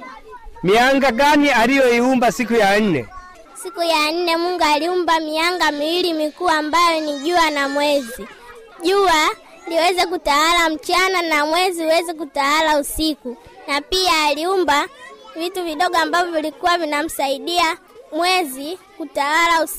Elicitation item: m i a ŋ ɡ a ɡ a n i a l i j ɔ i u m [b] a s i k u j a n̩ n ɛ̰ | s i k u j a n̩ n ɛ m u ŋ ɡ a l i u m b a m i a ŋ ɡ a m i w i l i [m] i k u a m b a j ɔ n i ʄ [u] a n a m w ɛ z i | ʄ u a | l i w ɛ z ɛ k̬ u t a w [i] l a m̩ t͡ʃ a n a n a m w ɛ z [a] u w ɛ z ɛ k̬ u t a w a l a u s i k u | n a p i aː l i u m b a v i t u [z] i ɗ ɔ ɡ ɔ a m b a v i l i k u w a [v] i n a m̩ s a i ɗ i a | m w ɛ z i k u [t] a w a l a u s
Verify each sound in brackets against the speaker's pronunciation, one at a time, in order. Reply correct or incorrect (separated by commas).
correct, correct, correct, incorrect, incorrect, incorrect, correct, correct